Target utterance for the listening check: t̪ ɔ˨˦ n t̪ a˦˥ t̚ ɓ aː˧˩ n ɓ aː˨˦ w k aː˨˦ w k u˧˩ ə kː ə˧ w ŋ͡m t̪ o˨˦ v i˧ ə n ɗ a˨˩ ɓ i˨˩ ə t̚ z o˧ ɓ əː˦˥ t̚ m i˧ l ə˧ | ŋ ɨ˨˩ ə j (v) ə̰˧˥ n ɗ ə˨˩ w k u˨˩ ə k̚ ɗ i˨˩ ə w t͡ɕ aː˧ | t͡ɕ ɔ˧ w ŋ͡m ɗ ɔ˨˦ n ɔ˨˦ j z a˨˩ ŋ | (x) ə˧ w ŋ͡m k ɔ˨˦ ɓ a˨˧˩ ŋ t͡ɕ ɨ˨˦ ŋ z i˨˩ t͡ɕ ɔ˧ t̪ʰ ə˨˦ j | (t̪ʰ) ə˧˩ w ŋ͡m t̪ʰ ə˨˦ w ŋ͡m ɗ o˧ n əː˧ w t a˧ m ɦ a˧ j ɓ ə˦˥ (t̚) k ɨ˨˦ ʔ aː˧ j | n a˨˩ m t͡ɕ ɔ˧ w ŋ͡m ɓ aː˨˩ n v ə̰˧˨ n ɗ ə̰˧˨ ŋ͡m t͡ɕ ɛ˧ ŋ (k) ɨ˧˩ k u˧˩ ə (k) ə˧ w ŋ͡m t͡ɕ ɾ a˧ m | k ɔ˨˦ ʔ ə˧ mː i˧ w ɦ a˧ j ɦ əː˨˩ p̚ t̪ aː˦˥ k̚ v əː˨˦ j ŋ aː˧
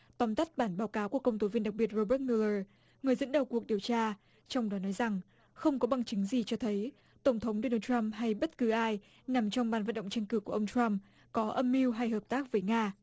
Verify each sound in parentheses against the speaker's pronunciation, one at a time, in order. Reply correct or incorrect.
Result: incorrect: z, correct, incorrect: t̪, correct, correct, incorrect: ʔ

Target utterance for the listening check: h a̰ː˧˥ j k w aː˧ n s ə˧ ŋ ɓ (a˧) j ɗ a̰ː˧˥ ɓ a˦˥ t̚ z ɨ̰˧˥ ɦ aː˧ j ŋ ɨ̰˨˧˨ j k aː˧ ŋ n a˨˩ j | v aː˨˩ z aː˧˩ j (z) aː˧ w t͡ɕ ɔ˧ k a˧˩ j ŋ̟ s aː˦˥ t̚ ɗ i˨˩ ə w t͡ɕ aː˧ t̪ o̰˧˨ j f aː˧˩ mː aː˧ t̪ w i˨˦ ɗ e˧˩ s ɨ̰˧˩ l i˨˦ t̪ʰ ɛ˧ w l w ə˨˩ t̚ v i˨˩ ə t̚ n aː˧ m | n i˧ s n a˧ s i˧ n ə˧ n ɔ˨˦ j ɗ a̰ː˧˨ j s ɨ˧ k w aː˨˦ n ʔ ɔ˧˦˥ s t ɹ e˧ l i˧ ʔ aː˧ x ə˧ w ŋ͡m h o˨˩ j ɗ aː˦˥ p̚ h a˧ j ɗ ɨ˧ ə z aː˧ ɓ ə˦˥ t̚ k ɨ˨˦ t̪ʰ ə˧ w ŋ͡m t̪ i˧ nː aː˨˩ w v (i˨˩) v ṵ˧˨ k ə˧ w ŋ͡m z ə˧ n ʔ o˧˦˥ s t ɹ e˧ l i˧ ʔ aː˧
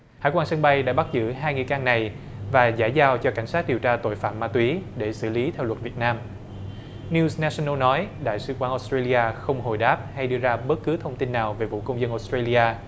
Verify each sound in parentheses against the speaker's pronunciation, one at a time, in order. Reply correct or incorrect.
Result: correct, correct, incorrect: e˨˩

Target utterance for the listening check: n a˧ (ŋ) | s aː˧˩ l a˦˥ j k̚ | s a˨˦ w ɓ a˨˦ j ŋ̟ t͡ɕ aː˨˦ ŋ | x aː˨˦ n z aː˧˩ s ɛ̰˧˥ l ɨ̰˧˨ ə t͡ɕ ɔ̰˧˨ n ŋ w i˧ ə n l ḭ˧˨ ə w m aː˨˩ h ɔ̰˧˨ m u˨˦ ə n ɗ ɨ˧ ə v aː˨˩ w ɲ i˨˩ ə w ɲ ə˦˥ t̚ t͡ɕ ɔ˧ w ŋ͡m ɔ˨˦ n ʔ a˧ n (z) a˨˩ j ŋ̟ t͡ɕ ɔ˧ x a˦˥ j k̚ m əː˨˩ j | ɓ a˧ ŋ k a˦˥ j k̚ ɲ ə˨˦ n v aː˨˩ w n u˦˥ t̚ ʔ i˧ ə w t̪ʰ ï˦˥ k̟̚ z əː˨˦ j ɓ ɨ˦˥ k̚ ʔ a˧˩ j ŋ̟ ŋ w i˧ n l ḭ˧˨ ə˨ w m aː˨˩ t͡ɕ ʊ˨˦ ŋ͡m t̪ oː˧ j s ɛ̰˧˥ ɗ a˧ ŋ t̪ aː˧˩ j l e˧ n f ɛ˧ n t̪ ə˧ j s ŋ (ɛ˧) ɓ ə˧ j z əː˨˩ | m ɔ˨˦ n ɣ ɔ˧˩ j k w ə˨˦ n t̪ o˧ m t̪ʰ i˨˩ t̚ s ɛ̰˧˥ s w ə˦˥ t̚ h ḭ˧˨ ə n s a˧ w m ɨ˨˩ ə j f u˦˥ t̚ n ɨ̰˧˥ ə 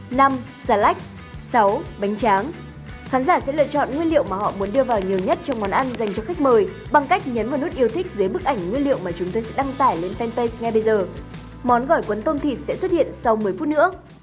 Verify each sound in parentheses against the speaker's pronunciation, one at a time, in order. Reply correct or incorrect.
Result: incorrect: m, correct, correct

